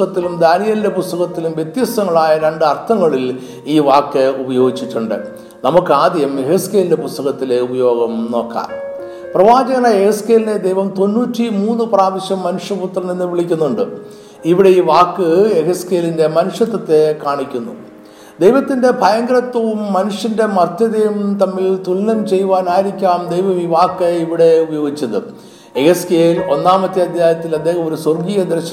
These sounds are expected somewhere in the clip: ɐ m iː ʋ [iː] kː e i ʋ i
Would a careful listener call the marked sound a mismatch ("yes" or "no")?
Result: yes